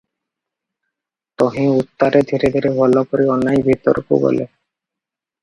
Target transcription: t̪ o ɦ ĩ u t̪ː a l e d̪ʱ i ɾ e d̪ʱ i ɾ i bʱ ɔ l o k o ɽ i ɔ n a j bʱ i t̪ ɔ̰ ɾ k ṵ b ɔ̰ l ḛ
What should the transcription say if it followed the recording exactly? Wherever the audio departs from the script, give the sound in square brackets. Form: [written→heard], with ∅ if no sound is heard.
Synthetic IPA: t̪ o ɦ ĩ u t̪ː a [l→ɾ] e d̪ʱ i ɾ e d̪ʱ i ɾ [i→e] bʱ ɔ l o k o [ɽ→ɾ] i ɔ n a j bʱ i t̪ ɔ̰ ɾ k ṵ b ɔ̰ l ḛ